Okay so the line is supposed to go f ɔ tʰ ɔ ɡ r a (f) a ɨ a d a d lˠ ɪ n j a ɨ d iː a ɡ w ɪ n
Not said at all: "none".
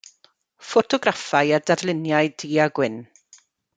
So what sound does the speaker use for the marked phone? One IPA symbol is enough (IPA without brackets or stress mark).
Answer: f